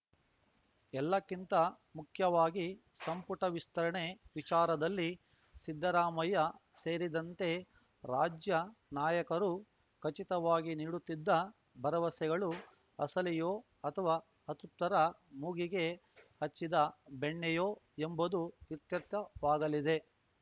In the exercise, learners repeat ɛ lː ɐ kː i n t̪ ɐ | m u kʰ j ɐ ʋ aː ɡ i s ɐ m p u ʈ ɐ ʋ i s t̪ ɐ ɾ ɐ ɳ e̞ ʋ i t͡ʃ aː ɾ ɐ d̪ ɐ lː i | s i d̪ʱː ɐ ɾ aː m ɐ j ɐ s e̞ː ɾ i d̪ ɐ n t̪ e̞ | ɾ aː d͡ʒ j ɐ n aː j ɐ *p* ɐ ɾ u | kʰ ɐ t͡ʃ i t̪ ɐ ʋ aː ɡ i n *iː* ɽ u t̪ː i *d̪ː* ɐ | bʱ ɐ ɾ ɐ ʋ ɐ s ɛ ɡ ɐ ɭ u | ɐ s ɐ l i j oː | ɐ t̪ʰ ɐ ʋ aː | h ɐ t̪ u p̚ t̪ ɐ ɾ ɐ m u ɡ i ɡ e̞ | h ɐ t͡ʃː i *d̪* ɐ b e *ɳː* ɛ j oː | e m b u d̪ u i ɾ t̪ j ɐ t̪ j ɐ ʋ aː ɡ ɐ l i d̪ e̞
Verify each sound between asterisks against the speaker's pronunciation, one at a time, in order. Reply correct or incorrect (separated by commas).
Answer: incorrect, correct, correct, correct, correct